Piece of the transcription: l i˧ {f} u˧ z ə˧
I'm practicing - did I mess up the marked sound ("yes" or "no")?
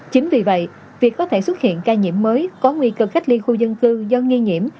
yes